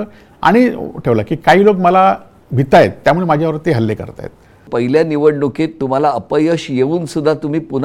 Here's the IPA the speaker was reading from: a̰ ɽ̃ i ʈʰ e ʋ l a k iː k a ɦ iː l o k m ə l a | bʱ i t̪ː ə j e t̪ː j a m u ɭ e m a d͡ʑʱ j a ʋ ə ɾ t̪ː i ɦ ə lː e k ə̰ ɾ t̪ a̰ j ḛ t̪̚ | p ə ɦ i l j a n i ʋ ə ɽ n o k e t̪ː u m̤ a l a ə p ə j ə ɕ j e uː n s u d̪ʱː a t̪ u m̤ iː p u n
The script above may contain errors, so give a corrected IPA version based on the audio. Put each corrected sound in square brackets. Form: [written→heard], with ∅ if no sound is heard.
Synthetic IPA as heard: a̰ ɽ̃ i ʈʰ e ʋ l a k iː k a ɦ iː l o k m ə l a | bʱ i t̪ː [ə→a] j e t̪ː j a m u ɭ e m a d͡ʑʱ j a ʋ ə ɾ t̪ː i ɦ ə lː e k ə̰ ɾ t̪ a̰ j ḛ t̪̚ | p ə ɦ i l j a n i ʋ ə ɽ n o k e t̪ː u m̤ a l a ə p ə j ə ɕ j e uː n s u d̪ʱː a t̪ u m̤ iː p u n